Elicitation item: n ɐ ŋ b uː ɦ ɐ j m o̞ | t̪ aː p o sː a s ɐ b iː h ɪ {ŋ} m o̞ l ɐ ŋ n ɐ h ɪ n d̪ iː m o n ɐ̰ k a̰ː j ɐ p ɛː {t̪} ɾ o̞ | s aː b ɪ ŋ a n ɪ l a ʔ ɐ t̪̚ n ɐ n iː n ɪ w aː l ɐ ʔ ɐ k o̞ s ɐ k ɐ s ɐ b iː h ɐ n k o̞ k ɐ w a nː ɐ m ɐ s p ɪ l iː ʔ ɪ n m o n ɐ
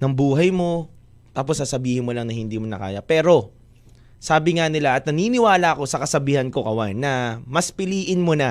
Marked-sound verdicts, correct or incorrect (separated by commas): incorrect, incorrect